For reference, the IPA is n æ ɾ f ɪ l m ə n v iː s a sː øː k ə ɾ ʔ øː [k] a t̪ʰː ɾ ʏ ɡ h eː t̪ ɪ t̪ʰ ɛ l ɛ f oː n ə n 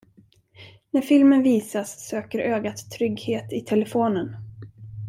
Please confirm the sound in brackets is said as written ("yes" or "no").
no